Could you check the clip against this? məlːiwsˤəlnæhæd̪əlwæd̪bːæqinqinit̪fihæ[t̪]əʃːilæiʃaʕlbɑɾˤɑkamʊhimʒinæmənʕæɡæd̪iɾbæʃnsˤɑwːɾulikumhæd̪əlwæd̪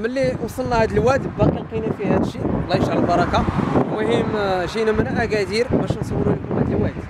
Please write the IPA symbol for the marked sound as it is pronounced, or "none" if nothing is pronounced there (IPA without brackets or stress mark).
d̪